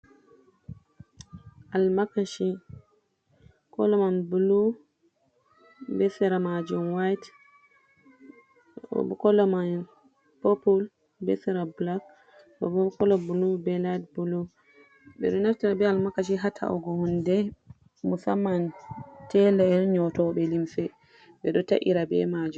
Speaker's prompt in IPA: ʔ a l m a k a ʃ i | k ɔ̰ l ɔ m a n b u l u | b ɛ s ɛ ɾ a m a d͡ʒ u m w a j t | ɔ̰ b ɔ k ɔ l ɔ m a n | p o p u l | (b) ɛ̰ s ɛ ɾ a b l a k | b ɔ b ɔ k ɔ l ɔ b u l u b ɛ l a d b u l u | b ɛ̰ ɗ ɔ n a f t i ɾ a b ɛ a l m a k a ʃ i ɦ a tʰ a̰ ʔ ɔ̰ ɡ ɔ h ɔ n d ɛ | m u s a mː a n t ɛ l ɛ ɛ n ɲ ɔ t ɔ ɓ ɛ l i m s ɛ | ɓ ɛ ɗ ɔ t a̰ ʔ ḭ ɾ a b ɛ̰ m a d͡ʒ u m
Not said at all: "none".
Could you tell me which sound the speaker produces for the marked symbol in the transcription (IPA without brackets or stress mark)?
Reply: b